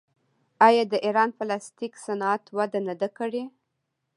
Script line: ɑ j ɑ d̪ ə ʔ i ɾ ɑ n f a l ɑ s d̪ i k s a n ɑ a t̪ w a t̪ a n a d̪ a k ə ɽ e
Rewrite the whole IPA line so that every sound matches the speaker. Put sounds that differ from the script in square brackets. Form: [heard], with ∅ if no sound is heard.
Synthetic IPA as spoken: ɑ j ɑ d̪ ə ʔ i ɾ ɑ n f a l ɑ s [t̪] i k s a n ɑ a t̪ w a [d̪] a n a d̪ a k ə ɽ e